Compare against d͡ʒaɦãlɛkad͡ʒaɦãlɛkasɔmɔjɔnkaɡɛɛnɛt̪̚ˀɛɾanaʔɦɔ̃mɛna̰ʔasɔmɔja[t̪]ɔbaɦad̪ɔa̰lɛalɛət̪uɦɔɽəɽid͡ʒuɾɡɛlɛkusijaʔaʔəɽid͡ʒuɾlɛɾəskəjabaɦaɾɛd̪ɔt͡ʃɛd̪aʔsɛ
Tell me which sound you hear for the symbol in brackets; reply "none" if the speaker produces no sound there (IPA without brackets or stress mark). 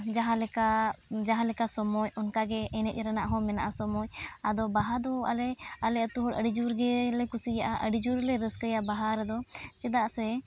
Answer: d̪